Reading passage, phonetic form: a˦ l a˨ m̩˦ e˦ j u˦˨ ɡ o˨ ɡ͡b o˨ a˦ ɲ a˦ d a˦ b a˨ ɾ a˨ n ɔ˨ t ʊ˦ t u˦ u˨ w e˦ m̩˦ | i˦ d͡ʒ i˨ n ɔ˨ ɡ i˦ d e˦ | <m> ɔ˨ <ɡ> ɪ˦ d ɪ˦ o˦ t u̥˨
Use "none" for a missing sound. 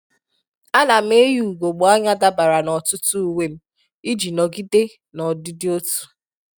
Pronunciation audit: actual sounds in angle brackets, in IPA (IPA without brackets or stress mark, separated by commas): n, d